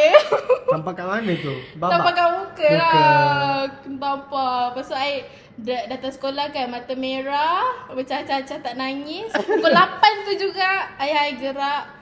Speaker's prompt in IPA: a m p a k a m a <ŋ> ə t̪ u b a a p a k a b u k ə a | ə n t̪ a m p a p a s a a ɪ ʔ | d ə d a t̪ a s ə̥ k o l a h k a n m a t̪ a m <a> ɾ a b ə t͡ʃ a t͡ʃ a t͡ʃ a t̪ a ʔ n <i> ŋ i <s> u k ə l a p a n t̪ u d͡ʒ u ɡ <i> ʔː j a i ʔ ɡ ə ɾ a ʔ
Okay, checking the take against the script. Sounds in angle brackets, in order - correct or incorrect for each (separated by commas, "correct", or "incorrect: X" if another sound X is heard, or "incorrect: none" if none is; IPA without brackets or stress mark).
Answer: incorrect: n, incorrect: e, incorrect: a, correct, incorrect: a